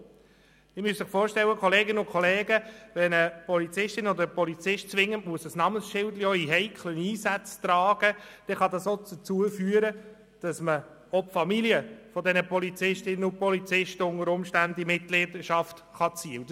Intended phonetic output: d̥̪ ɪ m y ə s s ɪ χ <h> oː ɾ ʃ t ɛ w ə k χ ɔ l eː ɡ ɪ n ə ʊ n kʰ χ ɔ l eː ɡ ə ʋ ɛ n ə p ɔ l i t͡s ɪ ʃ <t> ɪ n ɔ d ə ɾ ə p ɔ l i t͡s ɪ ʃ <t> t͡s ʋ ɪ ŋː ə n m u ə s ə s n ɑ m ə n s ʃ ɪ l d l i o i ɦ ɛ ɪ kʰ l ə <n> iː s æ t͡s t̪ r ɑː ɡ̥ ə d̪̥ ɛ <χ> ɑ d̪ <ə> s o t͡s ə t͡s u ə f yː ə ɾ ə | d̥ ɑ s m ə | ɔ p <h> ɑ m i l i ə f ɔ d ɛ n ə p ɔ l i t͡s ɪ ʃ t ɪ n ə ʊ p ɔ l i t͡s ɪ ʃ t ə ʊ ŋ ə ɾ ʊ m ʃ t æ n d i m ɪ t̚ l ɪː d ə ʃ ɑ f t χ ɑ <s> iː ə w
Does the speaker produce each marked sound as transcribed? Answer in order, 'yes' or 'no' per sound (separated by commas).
no, yes, yes, yes, yes, no, no, no